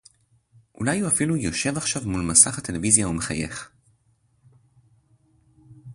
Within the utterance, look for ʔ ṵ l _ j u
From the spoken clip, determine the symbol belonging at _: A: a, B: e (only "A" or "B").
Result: A